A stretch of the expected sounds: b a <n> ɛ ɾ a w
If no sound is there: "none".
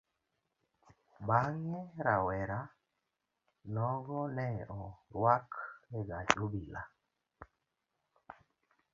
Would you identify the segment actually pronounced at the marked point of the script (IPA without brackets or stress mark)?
ŋ